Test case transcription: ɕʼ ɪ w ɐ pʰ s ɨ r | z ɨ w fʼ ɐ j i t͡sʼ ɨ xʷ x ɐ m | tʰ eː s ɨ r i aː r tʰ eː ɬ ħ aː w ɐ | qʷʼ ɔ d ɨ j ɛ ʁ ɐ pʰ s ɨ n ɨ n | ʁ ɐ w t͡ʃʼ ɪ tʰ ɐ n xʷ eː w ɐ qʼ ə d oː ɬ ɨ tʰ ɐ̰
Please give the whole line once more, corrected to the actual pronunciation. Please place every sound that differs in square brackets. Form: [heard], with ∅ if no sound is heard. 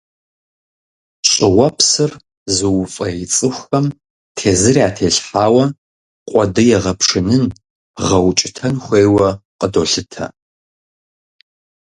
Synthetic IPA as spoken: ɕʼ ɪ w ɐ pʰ s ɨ r | z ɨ w fʼ ɐ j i t͡sʼ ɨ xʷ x ɐ m | tʰ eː [z] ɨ r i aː [∅] tʰ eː ɬ ħ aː w ɐ | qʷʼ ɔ d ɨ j ɛ ʁ ɐ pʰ [ʂ] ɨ n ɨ n | ʁ ɐ w t͡ʃʼ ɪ tʰ ɐ n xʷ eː w ɐ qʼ ə d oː ɬ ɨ tʰ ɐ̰